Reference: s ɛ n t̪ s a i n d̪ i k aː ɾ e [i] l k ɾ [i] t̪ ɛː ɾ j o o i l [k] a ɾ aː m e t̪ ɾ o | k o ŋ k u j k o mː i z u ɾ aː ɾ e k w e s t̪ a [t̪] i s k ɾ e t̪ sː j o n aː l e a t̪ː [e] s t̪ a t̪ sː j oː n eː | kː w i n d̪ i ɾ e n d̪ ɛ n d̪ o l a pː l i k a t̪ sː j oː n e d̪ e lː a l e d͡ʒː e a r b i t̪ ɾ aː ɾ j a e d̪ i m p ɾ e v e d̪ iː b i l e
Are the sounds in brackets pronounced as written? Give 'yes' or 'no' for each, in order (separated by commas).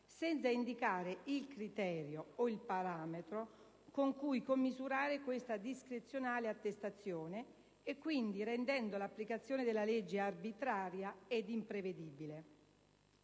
yes, yes, no, no, yes